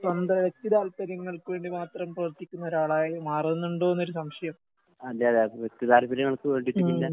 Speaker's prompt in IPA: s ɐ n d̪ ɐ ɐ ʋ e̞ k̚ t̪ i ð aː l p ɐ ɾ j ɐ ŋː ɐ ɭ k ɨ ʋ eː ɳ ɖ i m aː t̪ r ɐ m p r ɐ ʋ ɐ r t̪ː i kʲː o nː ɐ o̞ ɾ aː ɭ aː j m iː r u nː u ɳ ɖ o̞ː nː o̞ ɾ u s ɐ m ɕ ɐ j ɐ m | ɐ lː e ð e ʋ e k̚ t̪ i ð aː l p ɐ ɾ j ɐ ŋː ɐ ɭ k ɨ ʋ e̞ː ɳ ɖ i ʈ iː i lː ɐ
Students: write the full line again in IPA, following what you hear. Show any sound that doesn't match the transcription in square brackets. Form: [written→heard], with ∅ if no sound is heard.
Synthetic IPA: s ɐ n d̪ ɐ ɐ ʋ e̞ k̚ t̪ i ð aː l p ɐ ɾ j ɐ ŋː ɐ ɭ k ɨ ʋ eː ɳ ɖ i m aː t̪ r ɐ m p r ɐ ʋ ɐ r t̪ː i kʲː [o→u] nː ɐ o̞ ɾ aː ɭ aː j m [iː→aː] r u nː u ɳ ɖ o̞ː nː o̞ ɾ u s ɐ m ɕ ɐ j ɐ m | ɐ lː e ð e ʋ e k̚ t̪ i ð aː l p ɐ ɾ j ɐ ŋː ɐ ɭ k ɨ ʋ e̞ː ɳ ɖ i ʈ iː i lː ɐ